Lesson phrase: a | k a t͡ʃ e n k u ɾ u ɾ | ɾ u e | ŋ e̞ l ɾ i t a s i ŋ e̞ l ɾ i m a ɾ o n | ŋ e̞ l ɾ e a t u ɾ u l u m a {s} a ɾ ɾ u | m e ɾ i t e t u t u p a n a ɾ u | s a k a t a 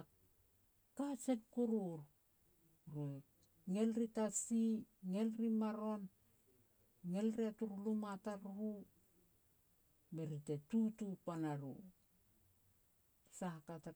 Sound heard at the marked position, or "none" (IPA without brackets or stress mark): t